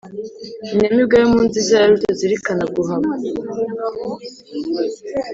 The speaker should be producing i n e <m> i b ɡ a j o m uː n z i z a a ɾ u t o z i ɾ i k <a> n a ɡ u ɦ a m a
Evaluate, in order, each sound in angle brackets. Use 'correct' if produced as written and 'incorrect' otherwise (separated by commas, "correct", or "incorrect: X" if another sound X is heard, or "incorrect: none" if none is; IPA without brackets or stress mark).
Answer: correct, correct